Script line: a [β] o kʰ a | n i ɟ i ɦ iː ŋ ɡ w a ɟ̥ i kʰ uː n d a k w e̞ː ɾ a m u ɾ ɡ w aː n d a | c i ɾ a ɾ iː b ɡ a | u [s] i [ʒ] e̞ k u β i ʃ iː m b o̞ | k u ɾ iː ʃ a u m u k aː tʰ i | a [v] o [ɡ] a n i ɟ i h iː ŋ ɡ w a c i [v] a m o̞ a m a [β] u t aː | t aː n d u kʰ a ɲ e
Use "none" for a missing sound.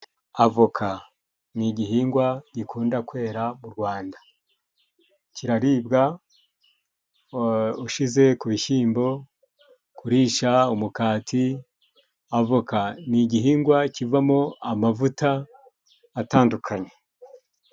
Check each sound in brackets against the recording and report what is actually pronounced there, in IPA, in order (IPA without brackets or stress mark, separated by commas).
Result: v, ʃ, z, v, k, v, v